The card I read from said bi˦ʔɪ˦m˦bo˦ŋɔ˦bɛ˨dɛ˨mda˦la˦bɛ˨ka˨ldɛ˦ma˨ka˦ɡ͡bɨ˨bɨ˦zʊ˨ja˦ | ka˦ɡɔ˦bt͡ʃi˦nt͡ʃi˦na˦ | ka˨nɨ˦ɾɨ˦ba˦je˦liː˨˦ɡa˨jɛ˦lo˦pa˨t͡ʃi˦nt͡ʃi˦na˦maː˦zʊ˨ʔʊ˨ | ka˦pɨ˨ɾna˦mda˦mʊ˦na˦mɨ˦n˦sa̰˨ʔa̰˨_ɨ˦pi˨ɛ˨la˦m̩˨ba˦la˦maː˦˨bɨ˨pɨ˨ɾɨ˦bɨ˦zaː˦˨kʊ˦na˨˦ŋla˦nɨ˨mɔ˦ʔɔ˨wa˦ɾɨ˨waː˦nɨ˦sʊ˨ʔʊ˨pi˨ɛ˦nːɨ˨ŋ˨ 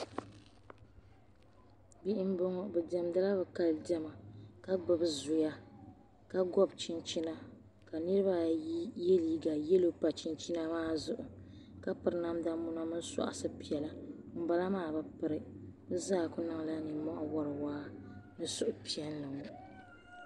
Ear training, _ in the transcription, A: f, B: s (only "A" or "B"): B